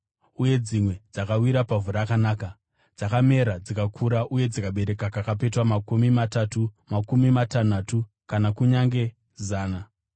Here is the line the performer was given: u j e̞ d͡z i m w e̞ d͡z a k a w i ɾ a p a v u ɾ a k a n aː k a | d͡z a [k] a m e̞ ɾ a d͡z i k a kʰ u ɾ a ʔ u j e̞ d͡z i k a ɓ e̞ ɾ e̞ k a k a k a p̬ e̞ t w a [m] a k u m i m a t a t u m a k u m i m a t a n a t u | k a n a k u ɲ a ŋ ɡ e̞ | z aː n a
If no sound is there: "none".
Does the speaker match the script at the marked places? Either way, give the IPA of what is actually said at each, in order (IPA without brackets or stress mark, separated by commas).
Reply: k, m